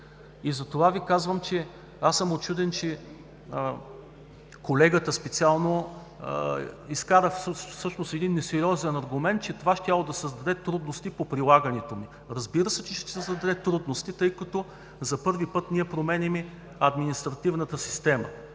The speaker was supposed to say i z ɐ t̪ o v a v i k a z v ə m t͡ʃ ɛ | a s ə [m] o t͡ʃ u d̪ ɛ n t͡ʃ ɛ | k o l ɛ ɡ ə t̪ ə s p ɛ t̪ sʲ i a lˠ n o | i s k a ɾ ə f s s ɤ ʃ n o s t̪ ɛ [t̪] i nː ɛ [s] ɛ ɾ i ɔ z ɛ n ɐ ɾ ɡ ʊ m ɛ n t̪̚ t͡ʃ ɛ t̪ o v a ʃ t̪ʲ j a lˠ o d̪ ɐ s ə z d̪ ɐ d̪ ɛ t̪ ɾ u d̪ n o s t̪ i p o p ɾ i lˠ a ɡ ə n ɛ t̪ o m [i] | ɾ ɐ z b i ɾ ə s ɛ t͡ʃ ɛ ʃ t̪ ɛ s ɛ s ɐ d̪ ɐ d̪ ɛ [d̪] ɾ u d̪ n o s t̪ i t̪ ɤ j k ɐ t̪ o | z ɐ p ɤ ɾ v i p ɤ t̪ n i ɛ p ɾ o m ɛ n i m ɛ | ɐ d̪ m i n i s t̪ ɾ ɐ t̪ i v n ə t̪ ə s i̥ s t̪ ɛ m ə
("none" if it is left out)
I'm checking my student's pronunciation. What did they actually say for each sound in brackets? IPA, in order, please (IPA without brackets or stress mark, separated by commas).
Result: m, d̪, s, i, t̪